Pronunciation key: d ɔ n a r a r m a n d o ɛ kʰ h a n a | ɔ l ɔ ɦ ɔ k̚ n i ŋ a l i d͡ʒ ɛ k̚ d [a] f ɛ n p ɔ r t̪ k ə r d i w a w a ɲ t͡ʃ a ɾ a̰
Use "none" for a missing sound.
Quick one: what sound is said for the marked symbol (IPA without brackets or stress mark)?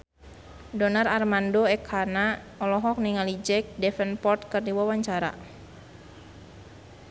ɛ